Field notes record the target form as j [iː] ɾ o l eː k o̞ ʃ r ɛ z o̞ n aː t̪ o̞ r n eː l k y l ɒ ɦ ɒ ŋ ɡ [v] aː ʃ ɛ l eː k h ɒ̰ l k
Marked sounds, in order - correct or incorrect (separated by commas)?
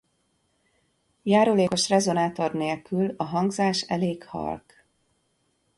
incorrect, incorrect